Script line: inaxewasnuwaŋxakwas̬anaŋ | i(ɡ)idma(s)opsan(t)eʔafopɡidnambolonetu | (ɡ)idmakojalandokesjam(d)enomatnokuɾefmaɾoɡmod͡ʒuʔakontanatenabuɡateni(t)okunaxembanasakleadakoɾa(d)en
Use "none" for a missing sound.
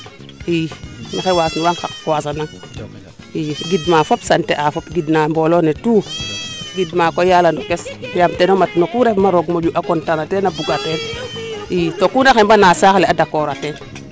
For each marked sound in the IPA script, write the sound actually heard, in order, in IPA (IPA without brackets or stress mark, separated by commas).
ɡ, f, t, ɡ, t, t, t